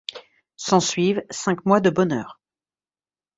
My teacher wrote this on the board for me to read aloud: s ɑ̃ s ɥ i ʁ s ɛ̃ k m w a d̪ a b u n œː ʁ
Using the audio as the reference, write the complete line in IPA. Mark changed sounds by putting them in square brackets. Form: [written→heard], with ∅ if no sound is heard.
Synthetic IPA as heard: s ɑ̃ s ɥ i [ʁ→v] s ɛ̃ k m w a d̪ [a→ə] b [u→ɔ] n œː ʁ